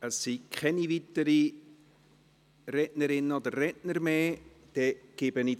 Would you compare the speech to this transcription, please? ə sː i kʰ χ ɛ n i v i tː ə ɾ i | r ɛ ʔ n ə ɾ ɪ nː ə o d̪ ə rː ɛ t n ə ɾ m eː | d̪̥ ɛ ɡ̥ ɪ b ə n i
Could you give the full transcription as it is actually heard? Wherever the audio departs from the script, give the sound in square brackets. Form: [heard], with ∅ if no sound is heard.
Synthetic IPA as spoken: ə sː i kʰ χ ɛ n i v i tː ə ɾ i | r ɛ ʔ n ə ɾ ɪ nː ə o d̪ ə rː ɛ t n ə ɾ m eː | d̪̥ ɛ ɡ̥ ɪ b ə n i